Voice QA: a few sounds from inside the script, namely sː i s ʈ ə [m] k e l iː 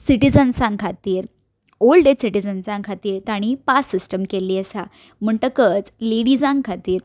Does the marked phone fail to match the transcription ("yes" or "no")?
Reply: no